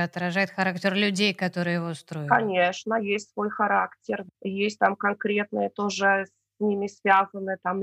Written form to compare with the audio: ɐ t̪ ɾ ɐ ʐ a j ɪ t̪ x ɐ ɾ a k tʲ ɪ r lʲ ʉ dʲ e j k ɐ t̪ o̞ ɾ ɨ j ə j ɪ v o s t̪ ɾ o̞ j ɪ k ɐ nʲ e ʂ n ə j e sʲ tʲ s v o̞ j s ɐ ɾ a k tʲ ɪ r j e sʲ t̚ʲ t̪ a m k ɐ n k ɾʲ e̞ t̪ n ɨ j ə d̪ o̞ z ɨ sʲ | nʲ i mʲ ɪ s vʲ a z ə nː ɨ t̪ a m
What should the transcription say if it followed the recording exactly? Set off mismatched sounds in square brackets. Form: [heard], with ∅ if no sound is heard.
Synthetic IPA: ɐ t̪ ɾ ɐ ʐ a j ɪ t̪ x ɐ ɾ a k tʲ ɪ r lʲ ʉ dʲ e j k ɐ t̪ o̞ ɾ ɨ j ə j ɪ v o s t̪ ɾ o̞ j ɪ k ɐ nʲ e ʂ n ə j e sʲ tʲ s v o̞ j [x] ɐ ɾ a k tʲ ɪ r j e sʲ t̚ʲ t̪ a m k ɐ n k ɾʲ e̞ t̪ n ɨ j ə [t̪] o̞ [ʐ] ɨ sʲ | nʲ i mʲ ɪ s vʲ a z ə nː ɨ t̪ a m